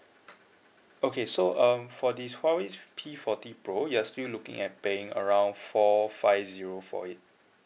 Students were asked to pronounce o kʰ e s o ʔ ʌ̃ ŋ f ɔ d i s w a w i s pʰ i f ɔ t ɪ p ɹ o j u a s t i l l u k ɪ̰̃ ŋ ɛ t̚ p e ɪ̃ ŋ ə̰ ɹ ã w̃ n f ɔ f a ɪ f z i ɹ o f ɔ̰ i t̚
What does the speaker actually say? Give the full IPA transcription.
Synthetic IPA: o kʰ e s o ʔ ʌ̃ m f ɔ d i s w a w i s pʰ i f ɔ t i p ɹ o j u a s t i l l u k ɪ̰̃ ŋ ɛ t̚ p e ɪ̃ ŋ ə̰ ɹ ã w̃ n f ɔ f a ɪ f z i ɹ o f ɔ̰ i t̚